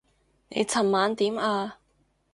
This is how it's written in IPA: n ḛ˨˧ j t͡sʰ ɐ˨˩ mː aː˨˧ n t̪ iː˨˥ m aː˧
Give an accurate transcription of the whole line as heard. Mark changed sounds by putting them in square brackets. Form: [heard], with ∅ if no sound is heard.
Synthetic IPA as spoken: n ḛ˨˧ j t͡sʰ ɐ˨˩ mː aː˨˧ n t̪ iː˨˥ m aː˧